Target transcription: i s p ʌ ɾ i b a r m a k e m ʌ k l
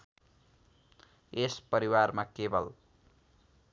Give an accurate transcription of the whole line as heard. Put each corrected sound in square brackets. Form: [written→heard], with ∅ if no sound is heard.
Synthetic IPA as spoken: [i→e] s p ʌ ɾ i [b→w] a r m a k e [m→b] ʌ [k→∅] l